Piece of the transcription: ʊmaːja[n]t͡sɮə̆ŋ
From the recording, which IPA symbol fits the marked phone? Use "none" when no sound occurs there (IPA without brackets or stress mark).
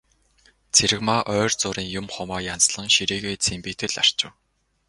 n